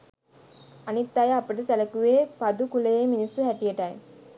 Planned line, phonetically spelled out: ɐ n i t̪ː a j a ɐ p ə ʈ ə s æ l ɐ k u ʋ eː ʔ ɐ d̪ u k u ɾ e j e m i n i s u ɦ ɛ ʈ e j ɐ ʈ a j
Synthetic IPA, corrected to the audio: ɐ n i t̪ː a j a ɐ p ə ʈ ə s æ l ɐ k u ʋ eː p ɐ d̪ u k u l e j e m i n i s u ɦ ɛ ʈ i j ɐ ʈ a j